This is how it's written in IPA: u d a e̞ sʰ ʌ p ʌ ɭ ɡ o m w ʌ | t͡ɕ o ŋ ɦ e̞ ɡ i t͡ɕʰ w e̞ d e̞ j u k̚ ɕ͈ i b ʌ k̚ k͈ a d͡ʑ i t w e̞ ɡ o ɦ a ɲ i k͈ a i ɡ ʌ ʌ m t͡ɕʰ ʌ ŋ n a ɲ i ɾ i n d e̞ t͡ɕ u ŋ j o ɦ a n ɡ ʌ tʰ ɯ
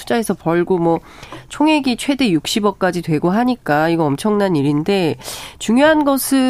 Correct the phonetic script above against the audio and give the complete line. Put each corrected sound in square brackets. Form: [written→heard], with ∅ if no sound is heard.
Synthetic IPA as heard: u [d→d͡ʑ] a e̞ sʰ ʌ p ʌ ɭ ɡ o m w ʌ | [t͡ɕ→t͡ɕʰ] o ŋ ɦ e̞ ɡ i t͡ɕʰ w e̞ d e̞ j u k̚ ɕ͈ i b ʌ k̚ k͈ a d͡ʑ i t w e̞ ɡ o ɦ a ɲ i k͈ a i ɡ ʌ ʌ m t͡ɕʰ ʌ ŋ n a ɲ i ɾ i n d e̞ t͡ɕ u ŋ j o ɦ a n ɡ ʌ [tʰ→sʰ] ɯ